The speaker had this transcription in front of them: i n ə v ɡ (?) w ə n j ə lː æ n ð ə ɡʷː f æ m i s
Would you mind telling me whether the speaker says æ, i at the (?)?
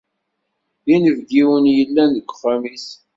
i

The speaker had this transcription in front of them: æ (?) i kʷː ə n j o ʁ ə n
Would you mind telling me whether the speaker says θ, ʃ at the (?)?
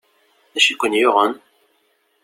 ʃ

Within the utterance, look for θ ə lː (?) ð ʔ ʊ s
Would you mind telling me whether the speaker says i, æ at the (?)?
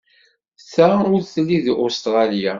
i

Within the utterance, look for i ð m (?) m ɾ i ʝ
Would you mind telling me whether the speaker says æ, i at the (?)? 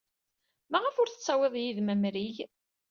æ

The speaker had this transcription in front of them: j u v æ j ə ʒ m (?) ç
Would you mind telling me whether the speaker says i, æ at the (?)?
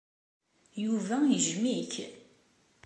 i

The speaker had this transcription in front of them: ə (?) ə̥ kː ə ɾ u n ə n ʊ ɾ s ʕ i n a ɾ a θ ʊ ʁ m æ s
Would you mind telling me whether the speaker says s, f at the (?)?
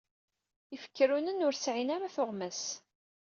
f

